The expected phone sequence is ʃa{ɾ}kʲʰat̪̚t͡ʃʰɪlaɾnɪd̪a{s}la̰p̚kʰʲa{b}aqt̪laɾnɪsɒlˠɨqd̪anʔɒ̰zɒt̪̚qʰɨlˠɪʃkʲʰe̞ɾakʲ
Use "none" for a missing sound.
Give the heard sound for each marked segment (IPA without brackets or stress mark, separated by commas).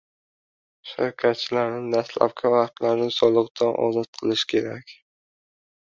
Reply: ɾ, s, v